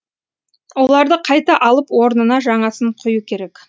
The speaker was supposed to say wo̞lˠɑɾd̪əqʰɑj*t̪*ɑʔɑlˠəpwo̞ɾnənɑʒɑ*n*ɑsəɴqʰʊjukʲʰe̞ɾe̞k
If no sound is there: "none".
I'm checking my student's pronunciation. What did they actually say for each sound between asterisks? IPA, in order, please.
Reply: t̪, ɴ

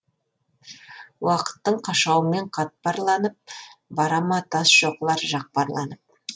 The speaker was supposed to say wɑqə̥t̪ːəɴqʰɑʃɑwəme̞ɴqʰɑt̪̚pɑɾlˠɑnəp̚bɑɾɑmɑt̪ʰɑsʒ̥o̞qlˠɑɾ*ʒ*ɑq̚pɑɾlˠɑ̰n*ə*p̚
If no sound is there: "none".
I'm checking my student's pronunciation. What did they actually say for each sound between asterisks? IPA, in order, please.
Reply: ʒ, ə

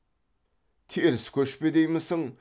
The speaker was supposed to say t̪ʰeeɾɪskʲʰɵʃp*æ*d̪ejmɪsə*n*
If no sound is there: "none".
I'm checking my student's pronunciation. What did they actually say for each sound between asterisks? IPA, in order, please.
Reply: e, ŋ

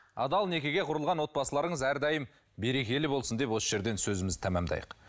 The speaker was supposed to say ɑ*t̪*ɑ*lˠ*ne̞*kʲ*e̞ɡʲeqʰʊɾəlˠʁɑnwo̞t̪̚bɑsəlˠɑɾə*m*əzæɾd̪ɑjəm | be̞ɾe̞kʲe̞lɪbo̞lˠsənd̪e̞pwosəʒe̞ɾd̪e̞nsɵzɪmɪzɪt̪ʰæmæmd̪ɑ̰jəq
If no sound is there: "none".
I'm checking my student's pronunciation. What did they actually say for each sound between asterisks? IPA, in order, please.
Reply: d̪, lˠ, kʲ, ɴ

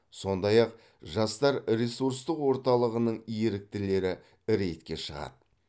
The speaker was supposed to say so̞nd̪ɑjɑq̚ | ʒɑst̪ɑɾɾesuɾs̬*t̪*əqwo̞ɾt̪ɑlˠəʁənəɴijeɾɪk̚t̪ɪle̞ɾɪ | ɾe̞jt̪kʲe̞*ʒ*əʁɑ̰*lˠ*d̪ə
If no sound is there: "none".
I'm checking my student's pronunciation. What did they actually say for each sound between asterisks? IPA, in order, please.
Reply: t̪, ʃ, none

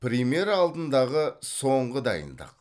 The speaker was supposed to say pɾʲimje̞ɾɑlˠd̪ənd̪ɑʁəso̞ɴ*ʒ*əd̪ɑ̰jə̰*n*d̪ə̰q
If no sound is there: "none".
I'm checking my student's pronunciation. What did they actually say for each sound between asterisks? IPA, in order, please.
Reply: ʁ, n

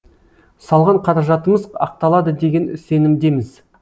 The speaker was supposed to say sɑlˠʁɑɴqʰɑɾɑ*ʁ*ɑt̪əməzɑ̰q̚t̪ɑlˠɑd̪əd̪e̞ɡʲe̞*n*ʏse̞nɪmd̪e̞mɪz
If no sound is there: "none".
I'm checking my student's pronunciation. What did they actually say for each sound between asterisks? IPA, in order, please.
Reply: ʒ, n

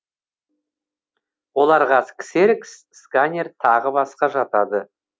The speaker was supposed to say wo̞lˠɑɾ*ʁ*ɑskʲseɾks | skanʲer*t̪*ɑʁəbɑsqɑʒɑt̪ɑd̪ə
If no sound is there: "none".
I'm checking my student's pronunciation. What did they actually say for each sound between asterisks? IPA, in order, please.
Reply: ʁ, t̪ʰ

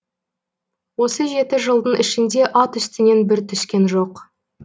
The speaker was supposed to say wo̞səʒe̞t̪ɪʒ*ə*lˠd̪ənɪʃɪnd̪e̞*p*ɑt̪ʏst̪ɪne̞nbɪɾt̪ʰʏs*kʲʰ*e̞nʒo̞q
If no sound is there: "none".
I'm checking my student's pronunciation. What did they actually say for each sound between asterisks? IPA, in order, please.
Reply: ə, ʔ, kʲ

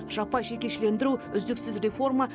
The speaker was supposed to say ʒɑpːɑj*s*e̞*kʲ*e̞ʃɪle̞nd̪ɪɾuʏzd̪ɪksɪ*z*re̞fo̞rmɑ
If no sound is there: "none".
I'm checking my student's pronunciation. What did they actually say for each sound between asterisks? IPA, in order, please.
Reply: ʃ, kʲ, z

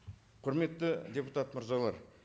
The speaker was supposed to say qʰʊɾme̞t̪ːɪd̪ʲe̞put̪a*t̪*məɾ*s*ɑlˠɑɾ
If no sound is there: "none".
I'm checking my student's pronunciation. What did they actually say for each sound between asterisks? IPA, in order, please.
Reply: t̪, z

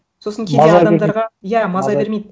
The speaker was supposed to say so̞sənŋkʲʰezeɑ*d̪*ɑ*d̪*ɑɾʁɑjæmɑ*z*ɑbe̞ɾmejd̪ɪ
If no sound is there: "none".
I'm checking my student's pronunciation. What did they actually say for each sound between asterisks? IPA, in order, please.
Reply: d̪, d̪, z

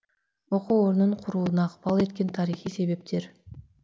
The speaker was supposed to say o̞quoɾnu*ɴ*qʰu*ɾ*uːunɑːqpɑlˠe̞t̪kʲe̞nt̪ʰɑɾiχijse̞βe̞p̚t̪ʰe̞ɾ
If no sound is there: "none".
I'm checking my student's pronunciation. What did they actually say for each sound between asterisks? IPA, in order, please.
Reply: ɴ, ɾ

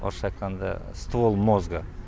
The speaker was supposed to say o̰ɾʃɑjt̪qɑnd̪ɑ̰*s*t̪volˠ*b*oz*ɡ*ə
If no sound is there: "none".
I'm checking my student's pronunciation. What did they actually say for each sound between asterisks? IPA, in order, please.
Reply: s, m, ɡ

